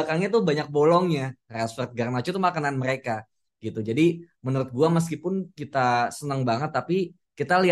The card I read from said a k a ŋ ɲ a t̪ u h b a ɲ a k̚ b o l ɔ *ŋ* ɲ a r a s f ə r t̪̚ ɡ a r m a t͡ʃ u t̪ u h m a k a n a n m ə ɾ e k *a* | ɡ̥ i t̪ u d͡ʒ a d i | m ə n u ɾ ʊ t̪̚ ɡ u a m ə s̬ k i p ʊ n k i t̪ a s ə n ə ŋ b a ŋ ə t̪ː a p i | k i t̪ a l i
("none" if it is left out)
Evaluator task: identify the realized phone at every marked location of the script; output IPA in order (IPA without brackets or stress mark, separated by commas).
ŋ, a